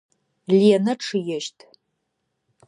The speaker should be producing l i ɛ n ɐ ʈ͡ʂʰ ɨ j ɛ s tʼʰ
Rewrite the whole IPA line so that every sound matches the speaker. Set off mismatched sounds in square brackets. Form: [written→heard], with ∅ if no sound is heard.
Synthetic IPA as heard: l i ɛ n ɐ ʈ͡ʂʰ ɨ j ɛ [s→ʃ] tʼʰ